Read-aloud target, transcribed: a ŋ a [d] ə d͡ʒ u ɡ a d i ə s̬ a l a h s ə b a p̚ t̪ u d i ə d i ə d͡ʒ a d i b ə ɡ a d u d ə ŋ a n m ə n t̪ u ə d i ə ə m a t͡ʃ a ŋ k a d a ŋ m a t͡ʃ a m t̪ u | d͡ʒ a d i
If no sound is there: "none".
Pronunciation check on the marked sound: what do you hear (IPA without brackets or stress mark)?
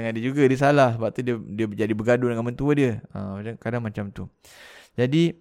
d